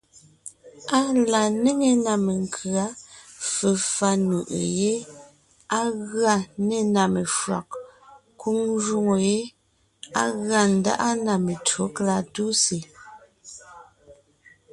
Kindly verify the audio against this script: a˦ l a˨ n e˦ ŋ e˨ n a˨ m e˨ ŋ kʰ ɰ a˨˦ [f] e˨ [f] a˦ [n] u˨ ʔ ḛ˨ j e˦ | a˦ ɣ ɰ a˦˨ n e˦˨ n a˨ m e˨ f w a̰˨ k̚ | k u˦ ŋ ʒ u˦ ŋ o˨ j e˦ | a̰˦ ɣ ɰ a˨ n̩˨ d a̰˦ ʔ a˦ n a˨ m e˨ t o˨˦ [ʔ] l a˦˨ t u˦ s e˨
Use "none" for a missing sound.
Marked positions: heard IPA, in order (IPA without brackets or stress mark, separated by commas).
f, f, n, k